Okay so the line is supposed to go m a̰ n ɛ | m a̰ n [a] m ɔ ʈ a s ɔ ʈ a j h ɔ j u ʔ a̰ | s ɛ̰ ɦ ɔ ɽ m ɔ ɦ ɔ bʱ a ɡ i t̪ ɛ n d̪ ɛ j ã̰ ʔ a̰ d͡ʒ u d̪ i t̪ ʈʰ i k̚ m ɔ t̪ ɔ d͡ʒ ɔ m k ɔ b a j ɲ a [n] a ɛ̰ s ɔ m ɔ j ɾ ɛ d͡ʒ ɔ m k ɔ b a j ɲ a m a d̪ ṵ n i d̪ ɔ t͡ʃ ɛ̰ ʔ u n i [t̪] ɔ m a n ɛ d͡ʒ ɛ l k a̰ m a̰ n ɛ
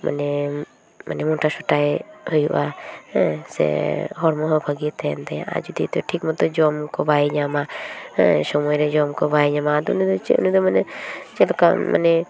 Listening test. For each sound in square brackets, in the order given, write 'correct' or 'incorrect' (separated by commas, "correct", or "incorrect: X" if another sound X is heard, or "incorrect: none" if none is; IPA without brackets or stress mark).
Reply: incorrect: ɛ, incorrect: m, incorrect: d̪